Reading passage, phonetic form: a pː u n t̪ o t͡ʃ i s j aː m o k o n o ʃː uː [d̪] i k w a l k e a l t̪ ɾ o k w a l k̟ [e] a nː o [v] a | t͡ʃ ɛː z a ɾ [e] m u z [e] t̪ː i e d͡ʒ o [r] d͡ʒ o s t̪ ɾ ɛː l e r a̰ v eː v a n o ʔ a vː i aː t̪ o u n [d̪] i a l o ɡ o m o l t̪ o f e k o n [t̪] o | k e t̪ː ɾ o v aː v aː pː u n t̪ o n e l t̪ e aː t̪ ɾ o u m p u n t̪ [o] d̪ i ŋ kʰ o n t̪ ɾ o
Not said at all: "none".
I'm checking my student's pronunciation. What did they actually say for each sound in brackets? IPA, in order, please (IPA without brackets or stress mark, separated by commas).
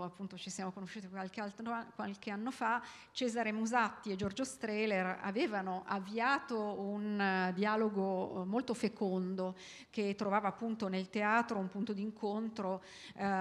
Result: t̪, e, f, e, a, r, d̪, d̪, o